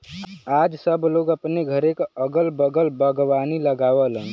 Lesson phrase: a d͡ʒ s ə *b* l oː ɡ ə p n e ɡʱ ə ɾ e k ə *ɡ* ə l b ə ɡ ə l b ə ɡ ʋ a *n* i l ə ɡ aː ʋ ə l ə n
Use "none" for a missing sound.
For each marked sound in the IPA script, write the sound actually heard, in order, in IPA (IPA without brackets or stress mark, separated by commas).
b, ɡ, n